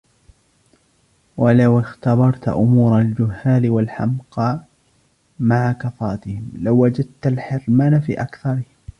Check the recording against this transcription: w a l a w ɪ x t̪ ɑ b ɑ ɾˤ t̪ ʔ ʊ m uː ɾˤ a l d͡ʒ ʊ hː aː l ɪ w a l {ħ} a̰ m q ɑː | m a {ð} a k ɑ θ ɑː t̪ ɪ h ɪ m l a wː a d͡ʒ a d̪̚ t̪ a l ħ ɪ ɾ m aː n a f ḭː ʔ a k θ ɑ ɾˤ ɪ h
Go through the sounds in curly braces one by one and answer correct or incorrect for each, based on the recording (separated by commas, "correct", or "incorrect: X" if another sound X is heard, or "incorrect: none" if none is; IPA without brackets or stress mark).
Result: correct, incorrect: ʕ